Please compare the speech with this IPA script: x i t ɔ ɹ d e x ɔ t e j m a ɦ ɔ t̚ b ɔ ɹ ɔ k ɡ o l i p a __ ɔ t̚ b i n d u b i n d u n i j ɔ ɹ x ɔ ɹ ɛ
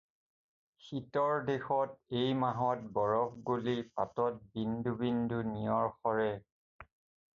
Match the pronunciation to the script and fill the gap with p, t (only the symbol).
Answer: t